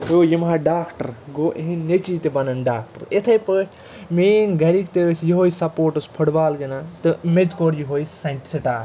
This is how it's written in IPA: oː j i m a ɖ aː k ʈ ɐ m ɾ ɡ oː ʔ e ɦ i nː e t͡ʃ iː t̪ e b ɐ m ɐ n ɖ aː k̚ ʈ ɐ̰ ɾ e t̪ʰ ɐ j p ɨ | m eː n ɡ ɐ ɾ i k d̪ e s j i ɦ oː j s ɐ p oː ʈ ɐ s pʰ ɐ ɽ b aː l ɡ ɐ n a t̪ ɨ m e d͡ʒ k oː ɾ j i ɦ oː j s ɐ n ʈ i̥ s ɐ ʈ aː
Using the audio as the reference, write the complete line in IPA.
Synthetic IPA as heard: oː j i m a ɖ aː k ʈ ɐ ɾ ɡ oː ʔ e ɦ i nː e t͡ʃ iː t̪ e b ɐ n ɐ n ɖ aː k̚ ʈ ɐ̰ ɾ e t̪ʰ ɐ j p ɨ | m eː n ɡ ɐ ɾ i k t̪ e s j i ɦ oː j s ɐ p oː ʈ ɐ s pʰ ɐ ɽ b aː l ɡ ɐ n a t̪ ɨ m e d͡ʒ k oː ɾ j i ɦ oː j s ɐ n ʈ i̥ s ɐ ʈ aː